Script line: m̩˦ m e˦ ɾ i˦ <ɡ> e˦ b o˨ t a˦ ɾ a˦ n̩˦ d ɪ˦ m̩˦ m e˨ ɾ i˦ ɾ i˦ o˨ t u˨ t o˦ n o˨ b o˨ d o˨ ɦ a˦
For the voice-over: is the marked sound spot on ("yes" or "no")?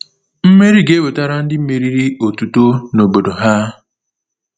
yes